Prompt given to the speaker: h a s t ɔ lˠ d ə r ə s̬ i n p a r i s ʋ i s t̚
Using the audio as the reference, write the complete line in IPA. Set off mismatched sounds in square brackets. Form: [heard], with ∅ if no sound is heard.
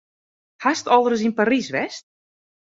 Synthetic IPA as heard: h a s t ɔ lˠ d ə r ə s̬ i n p a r i s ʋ [ɛ] s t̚